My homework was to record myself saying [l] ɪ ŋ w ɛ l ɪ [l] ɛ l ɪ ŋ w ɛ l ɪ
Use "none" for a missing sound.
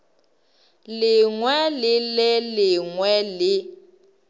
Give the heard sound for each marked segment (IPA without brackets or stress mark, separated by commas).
l, l